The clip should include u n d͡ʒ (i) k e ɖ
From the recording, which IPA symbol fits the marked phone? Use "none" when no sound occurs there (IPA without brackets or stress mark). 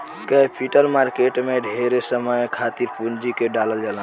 i